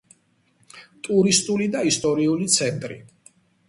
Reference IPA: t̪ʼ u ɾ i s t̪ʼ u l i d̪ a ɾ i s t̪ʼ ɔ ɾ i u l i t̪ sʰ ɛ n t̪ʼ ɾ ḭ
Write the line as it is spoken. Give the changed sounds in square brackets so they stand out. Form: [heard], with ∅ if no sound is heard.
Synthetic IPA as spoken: t̪ʼ u ɾ i s t̪ʼ u l i d̪ a [∅] i s t̪ʼ ɔ ɾ i u l i t̪ sʰ ɛ n t̪ʼ ɾ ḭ